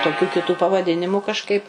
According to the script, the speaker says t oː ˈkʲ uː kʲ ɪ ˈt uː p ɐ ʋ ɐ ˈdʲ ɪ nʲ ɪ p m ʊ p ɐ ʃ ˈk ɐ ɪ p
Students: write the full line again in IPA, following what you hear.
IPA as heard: t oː ˈkʲ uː kʲ ɪ ˈt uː p ɐ ʋ ɐ ˈdʲ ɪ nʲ ɪ m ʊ k ɐ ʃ ˈk ɐ ɪ p